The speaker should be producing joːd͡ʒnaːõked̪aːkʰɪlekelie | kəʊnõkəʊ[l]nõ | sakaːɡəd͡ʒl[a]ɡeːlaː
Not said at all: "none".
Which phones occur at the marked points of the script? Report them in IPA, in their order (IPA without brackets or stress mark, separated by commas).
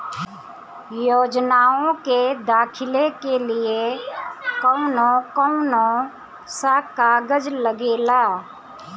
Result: none, ə